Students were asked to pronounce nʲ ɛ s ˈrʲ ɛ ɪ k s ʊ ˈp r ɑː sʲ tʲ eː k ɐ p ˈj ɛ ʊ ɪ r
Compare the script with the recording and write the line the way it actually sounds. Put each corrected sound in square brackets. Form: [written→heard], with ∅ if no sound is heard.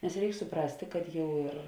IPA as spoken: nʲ ɛ s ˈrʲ ɛ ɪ k s ʊ ˈp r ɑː sʲ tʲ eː k ɐ [p→t] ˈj ɛ ʊ ɪ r